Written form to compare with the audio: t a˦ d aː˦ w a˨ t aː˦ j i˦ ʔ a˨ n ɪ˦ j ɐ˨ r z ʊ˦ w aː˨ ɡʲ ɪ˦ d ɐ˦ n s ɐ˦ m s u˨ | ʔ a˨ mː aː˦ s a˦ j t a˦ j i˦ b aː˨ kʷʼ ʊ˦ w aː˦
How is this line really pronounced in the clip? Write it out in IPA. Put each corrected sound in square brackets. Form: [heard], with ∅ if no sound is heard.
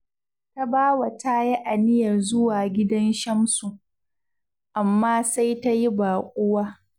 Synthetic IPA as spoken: t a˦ [b] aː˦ w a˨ t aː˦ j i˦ ʔ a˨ n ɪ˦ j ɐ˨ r z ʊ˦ w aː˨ ɡʲ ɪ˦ d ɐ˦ n [ʃ] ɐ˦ m s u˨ | ʔ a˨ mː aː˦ s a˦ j t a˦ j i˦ b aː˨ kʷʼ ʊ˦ w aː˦